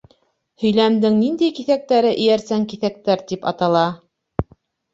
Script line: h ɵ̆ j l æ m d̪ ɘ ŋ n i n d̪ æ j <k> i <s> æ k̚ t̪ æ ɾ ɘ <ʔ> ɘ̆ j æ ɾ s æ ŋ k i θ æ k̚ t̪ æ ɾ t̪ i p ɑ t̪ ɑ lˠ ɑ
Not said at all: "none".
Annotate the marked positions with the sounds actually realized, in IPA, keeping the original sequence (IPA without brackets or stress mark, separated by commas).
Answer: k, θ, ʔ